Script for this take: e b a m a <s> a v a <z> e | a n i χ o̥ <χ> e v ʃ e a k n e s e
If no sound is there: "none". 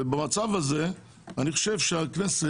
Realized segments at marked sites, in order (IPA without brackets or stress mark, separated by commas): t͡s, z, ʃ